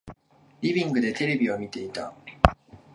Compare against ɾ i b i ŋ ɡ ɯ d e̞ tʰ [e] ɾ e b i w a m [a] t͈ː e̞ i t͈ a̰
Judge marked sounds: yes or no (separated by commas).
yes, no